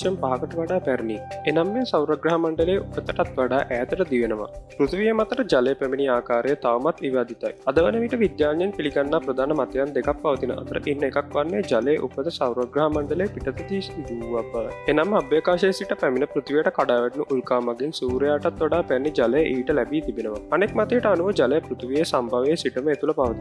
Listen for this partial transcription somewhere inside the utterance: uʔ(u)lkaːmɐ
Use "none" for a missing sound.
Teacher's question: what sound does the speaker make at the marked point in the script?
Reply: u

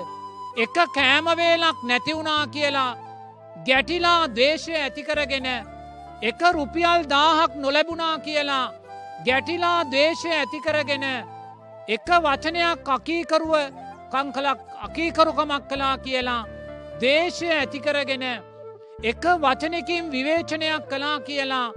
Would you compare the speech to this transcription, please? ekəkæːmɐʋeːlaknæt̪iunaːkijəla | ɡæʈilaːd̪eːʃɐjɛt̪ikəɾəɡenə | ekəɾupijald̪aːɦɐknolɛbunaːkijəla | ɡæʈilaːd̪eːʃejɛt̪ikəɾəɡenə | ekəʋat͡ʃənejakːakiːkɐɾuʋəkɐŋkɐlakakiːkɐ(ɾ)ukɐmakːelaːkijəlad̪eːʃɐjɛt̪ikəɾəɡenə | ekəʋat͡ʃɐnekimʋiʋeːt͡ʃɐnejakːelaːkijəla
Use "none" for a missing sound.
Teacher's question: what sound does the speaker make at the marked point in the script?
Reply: ɾ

